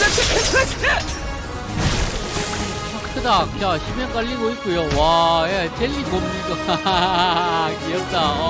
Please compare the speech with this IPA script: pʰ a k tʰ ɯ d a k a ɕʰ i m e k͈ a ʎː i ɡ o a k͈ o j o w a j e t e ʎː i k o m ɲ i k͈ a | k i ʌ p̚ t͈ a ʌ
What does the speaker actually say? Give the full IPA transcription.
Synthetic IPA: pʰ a k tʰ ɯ d a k a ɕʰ i m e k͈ a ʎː i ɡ o i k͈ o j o w a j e t͡ɕ e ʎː i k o m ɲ i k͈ a | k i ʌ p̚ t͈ a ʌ